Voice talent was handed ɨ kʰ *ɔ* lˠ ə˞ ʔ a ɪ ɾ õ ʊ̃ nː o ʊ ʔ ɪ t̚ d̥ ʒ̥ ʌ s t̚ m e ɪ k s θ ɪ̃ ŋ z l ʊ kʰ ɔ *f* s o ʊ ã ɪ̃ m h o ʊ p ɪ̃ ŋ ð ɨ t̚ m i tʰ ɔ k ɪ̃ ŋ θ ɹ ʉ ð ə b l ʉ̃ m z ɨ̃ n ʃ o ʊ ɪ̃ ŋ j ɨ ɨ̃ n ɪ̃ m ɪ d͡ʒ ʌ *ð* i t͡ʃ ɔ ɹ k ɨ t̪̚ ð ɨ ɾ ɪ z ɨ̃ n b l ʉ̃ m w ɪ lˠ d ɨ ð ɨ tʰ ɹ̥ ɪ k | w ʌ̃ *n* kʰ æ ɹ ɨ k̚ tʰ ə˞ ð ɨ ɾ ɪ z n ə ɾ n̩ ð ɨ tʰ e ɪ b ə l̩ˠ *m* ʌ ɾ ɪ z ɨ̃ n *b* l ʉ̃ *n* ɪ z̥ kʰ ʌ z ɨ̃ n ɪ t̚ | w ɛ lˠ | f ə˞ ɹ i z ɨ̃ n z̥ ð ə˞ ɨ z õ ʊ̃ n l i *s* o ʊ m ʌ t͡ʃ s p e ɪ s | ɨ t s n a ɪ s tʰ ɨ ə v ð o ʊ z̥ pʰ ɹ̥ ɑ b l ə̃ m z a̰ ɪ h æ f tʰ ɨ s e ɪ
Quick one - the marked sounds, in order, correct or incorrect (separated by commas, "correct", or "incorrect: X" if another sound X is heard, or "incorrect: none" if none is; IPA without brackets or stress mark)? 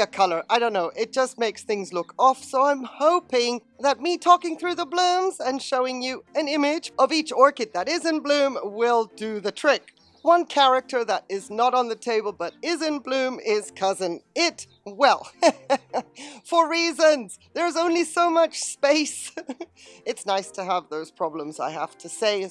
incorrect: ʌ, correct, incorrect: v, correct, incorrect: b, correct, incorrect: m, correct